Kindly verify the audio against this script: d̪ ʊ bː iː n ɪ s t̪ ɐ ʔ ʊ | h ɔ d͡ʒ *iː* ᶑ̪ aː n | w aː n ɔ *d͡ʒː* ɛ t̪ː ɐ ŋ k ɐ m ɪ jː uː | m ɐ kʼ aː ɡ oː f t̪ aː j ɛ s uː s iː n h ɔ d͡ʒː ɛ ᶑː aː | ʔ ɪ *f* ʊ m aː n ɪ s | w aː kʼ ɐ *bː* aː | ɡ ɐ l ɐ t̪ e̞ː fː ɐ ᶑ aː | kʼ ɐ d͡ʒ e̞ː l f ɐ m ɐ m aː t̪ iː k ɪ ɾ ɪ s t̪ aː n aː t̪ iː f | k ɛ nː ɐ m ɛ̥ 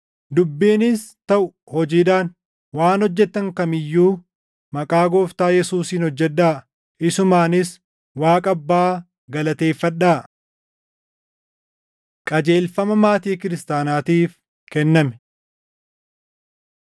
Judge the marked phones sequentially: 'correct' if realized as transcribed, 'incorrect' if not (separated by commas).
correct, correct, incorrect, correct